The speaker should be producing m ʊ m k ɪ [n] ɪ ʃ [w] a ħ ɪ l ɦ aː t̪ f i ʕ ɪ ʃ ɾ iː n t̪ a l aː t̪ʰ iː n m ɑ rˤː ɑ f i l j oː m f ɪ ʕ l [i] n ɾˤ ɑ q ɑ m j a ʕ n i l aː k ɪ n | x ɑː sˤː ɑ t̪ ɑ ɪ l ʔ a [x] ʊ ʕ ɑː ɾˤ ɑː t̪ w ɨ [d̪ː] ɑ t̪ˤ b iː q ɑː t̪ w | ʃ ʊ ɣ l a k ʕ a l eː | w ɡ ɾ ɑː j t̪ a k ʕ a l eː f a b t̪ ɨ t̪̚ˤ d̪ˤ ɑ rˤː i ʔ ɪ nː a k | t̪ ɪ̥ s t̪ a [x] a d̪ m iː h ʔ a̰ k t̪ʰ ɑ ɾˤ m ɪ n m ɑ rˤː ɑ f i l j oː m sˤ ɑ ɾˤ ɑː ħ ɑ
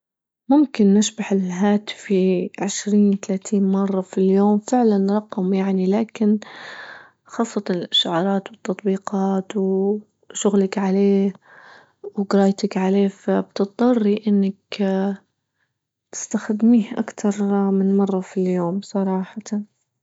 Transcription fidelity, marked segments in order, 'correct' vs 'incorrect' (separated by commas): incorrect, incorrect, incorrect, incorrect, incorrect, correct